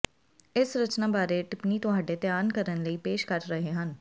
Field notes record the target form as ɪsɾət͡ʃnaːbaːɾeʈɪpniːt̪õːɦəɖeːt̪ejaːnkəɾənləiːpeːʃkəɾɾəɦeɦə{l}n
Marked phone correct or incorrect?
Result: incorrect